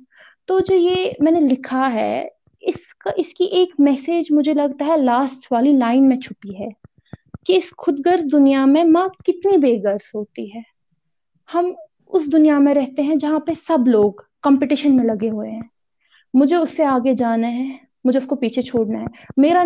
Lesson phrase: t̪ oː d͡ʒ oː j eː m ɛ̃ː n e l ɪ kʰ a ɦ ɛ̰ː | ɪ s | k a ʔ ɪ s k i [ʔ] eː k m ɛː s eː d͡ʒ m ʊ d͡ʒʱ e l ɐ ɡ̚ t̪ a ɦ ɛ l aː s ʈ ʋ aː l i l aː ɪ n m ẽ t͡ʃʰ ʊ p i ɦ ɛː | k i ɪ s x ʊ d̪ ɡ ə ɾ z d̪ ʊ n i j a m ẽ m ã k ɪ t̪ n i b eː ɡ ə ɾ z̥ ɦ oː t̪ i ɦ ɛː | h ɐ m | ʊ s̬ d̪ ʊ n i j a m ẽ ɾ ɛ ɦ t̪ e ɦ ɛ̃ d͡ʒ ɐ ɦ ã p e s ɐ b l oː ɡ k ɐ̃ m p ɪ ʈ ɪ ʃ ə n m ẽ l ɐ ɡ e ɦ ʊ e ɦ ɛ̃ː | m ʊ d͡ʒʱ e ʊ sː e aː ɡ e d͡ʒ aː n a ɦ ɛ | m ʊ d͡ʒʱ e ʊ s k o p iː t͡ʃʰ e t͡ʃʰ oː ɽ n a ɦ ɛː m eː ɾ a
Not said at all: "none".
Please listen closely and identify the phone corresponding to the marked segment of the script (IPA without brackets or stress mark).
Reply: ʔ